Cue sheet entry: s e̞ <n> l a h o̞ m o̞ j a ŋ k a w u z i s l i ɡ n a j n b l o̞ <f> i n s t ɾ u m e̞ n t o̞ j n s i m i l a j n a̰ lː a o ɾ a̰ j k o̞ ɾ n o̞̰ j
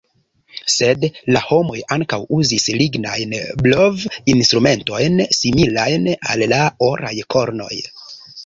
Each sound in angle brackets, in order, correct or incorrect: incorrect, incorrect

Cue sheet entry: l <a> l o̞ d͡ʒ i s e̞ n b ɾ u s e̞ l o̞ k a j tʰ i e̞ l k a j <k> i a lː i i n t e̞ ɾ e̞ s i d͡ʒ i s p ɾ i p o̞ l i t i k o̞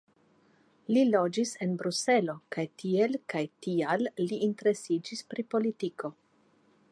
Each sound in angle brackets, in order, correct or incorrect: incorrect, incorrect

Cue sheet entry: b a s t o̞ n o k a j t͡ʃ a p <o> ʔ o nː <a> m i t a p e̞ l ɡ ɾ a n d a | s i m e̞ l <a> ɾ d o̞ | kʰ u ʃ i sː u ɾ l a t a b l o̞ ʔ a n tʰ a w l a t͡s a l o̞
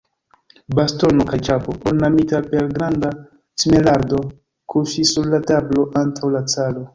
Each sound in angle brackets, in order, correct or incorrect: correct, correct, correct

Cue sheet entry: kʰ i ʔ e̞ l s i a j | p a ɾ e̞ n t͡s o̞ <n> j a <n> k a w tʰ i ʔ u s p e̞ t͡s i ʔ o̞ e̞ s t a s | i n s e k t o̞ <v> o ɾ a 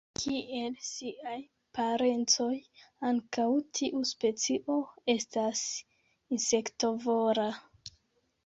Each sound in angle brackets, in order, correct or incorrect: incorrect, incorrect, correct

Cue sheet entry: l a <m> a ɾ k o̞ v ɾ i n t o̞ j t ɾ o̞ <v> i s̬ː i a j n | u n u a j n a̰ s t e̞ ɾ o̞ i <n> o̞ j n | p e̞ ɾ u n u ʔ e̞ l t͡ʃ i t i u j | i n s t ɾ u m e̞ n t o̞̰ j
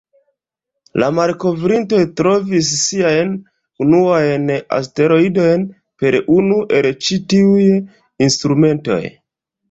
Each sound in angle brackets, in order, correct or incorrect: correct, correct, incorrect

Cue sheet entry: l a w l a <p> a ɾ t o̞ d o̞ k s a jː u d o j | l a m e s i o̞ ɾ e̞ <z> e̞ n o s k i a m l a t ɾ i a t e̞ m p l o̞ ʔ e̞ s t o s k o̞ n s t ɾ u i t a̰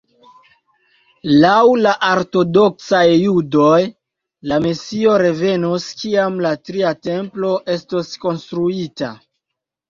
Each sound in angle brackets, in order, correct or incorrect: incorrect, incorrect

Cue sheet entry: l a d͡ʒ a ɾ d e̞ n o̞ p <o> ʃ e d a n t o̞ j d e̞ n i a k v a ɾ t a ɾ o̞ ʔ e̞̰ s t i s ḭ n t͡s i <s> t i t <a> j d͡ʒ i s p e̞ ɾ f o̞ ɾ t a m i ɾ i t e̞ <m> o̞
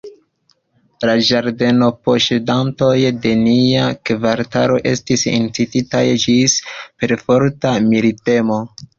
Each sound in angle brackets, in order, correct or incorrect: correct, incorrect, correct, correct

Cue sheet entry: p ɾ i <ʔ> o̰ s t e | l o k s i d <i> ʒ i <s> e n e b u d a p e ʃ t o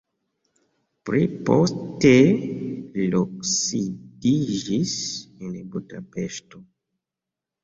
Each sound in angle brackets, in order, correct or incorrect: incorrect, correct, correct

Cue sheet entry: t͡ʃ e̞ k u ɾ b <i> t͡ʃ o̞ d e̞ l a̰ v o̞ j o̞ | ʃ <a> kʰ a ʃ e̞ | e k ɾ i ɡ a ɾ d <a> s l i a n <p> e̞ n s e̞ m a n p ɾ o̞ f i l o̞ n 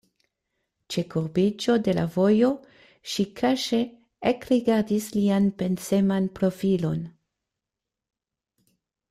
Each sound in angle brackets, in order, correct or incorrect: correct, incorrect, incorrect, correct

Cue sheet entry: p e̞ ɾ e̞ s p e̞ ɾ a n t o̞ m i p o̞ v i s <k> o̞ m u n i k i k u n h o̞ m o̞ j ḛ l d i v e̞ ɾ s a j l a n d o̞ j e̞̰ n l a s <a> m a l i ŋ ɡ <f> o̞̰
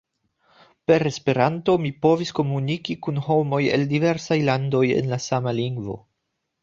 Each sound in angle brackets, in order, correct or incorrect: correct, correct, incorrect

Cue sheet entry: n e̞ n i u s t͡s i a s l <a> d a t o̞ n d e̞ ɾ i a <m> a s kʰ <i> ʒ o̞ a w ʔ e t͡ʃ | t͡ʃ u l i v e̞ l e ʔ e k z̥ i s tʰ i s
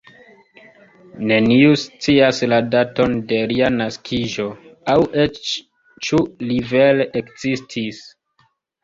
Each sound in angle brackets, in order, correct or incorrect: correct, incorrect, correct

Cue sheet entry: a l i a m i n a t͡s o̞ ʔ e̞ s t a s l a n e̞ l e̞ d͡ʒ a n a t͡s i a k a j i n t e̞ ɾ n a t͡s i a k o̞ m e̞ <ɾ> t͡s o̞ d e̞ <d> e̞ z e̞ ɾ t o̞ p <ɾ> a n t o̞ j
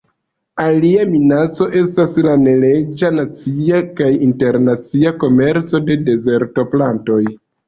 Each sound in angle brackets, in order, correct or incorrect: correct, correct, incorrect

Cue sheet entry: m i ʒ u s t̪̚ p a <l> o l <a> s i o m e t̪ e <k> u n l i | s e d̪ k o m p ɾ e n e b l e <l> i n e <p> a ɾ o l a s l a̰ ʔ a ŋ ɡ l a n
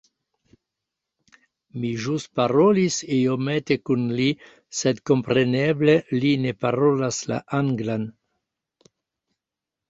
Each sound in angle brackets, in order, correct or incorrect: incorrect, incorrect, correct, correct, correct

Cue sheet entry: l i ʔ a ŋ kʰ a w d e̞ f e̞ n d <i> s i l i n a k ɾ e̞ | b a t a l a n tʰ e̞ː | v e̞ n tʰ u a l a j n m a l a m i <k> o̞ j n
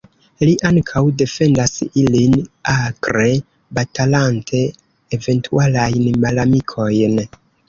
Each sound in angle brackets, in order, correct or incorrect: incorrect, incorrect

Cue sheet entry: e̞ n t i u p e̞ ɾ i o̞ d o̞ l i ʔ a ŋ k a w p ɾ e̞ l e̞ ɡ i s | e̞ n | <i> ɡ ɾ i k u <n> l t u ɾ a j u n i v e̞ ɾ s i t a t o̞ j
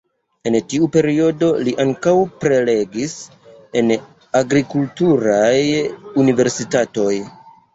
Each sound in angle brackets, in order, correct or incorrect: incorrect, incorrect

